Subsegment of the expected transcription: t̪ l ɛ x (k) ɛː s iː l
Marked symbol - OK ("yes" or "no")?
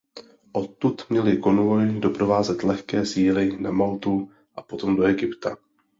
yes